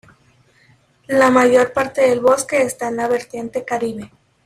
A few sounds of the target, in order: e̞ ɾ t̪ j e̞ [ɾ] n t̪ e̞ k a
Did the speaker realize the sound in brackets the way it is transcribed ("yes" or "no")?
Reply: no